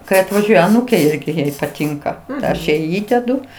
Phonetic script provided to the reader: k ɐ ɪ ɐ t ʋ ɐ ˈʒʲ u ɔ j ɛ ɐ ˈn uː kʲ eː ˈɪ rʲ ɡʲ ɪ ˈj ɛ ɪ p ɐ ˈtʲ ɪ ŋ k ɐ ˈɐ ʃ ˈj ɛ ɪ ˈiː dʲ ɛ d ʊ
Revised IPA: k ɐ ɪ ɐ t ʋ ɐ ˈʒʲ u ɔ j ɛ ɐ ˈn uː kʲ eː ˈɪ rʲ ɡʲ ɪ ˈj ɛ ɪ p ɐ ˈtʲ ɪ ŋ k ɐ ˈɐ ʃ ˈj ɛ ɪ ˈiː dʲ ɛ d ʊ